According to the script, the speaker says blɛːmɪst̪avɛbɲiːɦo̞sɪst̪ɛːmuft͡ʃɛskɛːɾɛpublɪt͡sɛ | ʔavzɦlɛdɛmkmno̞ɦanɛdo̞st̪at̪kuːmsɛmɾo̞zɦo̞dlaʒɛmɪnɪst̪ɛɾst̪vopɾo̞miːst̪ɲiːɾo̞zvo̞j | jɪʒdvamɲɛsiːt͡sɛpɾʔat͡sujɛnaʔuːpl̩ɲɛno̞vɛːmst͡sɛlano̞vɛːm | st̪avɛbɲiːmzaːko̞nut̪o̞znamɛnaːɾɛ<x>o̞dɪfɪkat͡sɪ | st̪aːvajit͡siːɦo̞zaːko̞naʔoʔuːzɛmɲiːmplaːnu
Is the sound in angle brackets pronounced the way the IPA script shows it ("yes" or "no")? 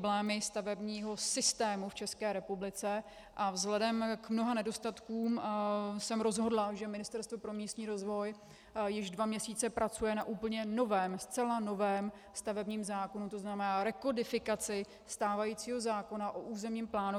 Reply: no